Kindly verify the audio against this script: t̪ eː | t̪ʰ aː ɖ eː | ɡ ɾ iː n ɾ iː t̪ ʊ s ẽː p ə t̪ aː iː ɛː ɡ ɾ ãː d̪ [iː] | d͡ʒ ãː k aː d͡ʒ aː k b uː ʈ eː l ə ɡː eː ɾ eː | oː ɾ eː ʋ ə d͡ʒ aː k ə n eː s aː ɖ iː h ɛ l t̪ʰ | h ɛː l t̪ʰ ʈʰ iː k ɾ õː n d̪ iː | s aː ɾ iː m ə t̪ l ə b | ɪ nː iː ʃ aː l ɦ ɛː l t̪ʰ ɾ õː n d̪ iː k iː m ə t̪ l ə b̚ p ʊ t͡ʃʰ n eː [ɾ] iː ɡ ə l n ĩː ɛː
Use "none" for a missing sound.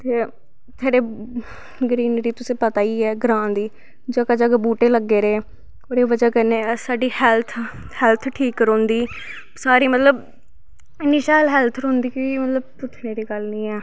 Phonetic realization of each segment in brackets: iː, ɾ

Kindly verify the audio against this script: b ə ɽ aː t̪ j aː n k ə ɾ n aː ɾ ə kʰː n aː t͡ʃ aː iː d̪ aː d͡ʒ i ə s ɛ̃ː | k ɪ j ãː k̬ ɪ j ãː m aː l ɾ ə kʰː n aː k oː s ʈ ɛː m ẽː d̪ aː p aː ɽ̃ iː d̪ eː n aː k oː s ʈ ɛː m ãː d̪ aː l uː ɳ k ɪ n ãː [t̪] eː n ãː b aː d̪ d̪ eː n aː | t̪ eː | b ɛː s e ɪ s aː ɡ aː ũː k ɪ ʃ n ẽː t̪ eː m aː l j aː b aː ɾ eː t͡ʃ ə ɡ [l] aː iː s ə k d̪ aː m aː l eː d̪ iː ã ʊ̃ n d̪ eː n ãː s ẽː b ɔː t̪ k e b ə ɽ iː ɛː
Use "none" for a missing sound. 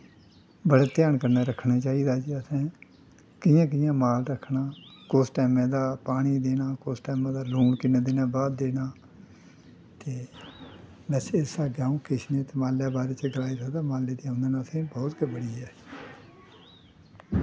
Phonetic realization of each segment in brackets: d̪, l

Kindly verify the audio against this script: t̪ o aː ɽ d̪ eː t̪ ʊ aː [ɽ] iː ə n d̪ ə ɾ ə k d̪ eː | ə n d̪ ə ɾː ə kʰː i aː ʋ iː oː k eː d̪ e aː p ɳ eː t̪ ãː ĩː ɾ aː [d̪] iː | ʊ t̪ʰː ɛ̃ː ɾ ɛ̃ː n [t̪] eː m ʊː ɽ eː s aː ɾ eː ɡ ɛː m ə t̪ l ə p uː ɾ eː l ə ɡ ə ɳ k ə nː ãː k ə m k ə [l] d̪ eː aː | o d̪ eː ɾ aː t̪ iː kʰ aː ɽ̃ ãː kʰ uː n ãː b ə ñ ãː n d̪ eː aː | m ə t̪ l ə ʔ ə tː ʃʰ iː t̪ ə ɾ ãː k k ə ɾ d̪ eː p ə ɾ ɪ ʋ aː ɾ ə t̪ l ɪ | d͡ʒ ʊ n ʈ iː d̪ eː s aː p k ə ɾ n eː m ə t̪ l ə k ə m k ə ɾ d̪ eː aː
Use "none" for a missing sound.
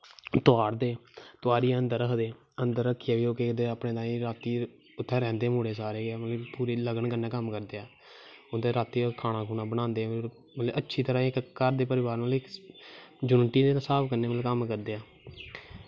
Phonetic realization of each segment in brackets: ɾ, t̪, d̪, ɾ

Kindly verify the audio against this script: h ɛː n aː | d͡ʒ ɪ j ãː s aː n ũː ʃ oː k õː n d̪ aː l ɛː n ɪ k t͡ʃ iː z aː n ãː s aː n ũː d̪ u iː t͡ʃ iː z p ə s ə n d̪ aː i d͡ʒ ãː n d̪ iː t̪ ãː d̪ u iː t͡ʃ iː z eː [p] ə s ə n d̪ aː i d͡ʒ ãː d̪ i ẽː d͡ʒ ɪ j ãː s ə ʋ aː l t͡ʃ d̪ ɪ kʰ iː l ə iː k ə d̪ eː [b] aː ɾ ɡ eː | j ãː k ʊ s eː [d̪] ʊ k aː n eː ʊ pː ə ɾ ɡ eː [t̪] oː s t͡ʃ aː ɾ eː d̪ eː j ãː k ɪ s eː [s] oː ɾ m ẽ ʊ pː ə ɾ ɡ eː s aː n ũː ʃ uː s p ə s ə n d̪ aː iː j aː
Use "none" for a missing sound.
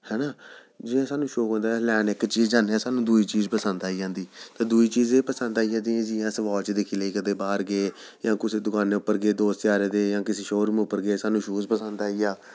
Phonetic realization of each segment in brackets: p, b, d̪, d̪, ʃ

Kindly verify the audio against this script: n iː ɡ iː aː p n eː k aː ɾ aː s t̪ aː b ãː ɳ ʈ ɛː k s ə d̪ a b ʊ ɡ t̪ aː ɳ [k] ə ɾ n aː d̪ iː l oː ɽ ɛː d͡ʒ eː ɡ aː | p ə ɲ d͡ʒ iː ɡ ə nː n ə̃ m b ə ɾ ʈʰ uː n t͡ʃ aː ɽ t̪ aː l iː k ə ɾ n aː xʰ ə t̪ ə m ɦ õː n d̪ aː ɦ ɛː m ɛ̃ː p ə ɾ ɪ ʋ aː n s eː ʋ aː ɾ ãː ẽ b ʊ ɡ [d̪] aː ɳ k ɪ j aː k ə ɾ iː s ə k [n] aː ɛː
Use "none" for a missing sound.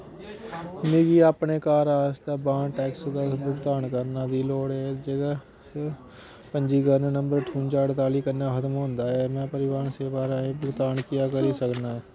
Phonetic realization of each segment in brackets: k, t̪, n

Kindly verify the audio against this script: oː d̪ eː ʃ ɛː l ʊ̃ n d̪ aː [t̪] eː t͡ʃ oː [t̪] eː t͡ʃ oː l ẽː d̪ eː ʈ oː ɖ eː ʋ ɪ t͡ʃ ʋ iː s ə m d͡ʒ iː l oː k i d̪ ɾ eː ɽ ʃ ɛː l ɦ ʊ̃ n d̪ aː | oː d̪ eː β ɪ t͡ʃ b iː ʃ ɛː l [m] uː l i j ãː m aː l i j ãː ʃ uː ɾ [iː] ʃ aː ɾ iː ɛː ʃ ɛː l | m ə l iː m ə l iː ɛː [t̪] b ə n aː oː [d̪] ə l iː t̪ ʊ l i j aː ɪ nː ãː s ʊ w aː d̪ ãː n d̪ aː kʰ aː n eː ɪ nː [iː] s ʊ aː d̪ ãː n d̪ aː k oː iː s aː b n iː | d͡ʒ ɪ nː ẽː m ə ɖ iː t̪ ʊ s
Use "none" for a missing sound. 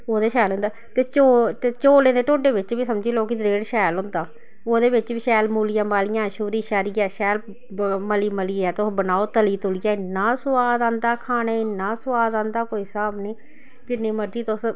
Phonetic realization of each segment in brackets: t̪, t̪, m, iː, t̪, t̪, aː

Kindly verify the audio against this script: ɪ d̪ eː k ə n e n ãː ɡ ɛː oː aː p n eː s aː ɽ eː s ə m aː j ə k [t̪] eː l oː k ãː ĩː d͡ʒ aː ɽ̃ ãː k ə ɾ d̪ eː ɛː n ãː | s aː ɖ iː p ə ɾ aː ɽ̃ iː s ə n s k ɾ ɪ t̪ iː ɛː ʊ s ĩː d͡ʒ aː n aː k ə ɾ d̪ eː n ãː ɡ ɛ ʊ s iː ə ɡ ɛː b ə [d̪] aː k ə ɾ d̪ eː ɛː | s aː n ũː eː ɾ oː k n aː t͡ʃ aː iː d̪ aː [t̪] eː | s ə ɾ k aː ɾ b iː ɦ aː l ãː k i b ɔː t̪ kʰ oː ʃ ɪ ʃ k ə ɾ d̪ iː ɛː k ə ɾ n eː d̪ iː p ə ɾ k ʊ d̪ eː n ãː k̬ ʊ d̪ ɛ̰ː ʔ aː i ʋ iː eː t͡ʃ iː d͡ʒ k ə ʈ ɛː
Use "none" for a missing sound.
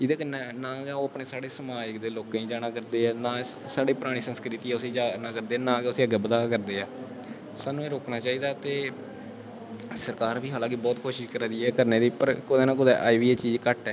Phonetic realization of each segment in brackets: d̪, d̪, t̪

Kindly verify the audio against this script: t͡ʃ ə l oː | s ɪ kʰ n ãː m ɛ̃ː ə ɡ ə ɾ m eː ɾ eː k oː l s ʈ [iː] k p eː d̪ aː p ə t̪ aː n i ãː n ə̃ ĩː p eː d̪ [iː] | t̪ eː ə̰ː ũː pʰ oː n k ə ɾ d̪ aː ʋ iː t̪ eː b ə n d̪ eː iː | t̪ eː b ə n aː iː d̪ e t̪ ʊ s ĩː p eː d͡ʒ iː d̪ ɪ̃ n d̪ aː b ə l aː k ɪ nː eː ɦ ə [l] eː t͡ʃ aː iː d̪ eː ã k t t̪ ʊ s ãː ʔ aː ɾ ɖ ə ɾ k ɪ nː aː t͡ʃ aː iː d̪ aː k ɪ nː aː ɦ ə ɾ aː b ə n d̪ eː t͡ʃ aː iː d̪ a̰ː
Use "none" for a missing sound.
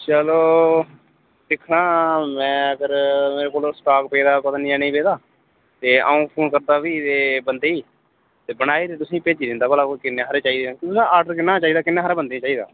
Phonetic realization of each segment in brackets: aː, aː, ɾ

